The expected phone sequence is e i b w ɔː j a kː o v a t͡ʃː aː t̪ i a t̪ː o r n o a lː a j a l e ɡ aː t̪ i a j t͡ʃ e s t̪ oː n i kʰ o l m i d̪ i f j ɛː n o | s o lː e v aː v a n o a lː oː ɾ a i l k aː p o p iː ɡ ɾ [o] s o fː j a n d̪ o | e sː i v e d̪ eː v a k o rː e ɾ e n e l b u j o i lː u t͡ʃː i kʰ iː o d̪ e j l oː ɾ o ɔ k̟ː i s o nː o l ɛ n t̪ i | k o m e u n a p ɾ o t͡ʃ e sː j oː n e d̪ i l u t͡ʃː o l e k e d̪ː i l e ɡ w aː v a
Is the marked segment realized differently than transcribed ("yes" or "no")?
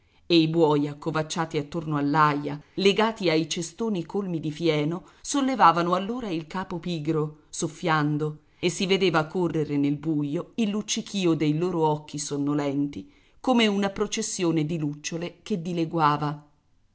no